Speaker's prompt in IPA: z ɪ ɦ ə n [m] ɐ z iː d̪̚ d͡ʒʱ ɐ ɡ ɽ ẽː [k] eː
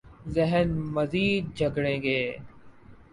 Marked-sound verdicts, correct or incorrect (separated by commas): correct, incorrect